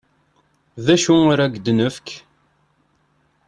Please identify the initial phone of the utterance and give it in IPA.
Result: ð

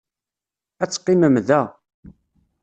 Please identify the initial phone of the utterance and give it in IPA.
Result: æ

